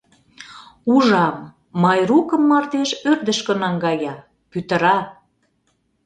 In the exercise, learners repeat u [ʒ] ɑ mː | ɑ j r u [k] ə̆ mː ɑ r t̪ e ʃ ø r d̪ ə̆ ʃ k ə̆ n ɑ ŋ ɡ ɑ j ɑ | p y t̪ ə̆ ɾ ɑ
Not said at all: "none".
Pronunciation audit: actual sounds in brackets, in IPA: ʒ, k

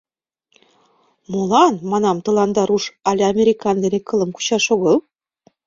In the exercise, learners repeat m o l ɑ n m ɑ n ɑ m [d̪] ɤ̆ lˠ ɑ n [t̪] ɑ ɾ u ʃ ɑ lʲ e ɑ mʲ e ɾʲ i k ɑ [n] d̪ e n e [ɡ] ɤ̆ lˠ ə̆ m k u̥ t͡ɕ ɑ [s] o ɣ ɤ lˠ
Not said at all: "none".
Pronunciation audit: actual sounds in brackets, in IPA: t̪, d̪, n, k, ʃ

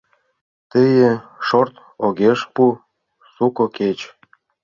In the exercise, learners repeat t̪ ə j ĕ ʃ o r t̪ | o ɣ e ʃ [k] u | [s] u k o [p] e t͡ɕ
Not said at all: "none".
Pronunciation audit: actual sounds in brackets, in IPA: p, s, k

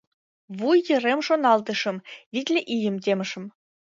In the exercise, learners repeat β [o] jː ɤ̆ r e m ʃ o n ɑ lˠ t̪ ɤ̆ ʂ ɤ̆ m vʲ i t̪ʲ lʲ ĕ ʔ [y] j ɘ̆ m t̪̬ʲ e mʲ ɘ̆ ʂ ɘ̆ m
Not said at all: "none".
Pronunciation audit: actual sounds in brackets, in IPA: u, i

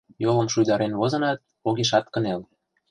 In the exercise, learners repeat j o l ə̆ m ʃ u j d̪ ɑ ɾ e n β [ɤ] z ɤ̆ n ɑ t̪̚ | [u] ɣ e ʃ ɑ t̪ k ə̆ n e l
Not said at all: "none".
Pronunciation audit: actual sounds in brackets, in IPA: o, o

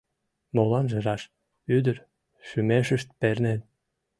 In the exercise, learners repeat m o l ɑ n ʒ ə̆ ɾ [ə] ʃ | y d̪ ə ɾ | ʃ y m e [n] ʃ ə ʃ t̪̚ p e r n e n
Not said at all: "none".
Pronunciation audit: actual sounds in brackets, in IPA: ɑ, none

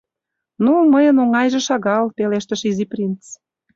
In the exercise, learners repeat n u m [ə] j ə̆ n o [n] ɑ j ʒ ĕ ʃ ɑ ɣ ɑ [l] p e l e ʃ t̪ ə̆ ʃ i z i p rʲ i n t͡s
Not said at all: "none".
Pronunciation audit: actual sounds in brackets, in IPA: ə, ŋ, l

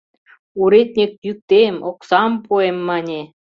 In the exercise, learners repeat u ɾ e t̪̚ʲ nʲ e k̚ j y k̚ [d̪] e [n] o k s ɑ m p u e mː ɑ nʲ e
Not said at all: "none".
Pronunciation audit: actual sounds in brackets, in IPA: t̪, m

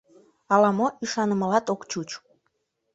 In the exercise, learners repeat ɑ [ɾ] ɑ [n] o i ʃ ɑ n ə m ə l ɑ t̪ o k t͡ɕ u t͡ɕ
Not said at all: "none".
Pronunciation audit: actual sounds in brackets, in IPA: l, m

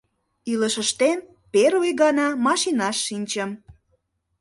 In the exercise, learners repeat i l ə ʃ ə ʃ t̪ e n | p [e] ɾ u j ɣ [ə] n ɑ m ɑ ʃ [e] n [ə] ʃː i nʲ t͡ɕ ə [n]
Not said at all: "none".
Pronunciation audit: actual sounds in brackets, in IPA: e, ɑ, i, ɑ, m

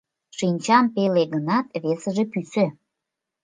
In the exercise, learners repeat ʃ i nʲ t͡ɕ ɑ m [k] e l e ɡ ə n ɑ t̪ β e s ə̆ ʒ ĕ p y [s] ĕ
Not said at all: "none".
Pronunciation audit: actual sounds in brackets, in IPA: p, s

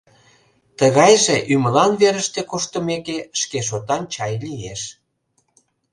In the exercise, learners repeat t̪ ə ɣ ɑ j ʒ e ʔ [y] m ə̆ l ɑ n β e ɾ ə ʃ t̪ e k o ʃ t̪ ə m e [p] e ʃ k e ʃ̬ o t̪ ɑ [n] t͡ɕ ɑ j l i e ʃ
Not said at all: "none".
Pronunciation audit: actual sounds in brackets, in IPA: y, k, n

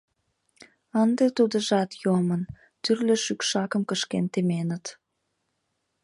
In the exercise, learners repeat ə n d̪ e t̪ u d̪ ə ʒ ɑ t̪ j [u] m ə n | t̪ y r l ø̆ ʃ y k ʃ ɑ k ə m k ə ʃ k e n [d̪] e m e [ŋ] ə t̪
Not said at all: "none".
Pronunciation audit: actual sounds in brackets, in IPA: o, t̪, n

